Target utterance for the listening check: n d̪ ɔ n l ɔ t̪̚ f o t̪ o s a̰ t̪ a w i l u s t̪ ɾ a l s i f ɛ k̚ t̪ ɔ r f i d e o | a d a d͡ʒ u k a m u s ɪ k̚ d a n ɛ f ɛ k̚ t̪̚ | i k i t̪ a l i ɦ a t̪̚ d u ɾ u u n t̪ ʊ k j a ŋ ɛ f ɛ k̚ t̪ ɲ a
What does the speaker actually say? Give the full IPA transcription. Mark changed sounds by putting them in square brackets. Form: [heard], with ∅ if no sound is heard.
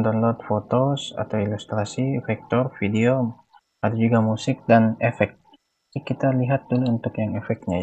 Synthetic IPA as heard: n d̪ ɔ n l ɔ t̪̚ f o t̪ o s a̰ t̪ a w i l u s t̪ ɾ a [∅] s i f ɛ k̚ t̪ ɔ r f i d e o | a d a d͡ʒ u [ɡ] a m u s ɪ k̚ d a n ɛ f ɛ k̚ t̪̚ | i k i t̪ a l i ɦ a t̪̚ d u [l] u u n t̪ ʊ k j a ŋ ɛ f ɛ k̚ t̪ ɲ a